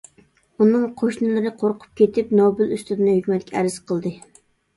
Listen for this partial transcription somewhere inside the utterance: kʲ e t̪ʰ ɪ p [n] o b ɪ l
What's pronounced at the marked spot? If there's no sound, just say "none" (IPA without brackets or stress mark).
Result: n